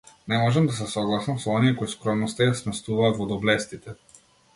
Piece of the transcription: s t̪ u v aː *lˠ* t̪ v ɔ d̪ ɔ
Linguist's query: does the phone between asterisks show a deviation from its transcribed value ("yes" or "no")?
yes